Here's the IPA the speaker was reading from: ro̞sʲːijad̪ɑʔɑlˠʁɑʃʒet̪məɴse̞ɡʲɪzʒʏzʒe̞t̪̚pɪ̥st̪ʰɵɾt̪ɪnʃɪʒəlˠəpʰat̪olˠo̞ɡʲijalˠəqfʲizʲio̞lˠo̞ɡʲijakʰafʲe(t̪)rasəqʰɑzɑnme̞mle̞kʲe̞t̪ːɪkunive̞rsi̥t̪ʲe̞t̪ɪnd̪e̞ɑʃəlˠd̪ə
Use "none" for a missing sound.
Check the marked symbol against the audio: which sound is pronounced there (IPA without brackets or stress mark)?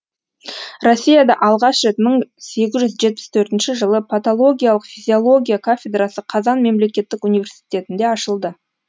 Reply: d̪